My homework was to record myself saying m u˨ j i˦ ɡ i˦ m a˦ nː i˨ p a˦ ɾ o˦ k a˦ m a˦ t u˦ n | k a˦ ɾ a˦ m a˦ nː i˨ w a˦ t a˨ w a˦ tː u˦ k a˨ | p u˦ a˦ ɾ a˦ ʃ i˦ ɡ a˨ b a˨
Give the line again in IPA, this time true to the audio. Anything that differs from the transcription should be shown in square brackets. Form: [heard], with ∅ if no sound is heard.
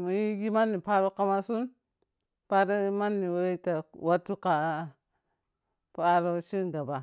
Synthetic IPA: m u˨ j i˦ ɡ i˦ m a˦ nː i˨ p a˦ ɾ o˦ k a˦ m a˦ [s] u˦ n | [p] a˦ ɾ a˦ m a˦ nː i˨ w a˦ t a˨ w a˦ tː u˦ k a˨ | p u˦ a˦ ɾ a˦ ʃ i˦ ɡ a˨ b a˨